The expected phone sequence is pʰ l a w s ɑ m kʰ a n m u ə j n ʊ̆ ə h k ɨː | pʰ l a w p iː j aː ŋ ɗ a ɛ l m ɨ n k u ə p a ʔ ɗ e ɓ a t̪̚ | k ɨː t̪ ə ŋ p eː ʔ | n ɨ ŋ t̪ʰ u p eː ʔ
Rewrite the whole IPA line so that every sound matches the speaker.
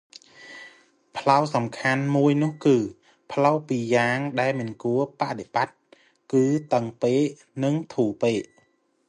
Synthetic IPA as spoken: pʰ l a w s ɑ m kʰ a n m u ə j n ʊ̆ ə h k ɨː | pʰ l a w p iː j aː ŋ ɗ a ɛ l m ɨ n k u ə p a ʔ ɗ e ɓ a t̪̚ | k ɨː t̪ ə ŋ p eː ʔ | n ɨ ŋ t̪ʰ uː p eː ʔ